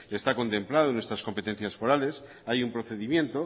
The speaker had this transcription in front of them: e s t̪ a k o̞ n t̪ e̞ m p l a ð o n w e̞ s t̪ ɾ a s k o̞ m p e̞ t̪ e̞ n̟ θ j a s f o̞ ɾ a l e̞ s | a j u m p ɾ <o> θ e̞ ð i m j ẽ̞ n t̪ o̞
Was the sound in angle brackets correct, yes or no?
yes